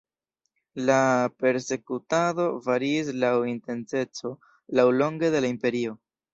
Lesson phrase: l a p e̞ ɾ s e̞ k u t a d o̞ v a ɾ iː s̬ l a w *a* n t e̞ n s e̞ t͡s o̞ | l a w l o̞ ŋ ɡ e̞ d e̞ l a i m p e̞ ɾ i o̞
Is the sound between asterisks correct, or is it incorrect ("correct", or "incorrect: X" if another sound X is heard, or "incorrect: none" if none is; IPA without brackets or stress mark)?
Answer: incorrect: i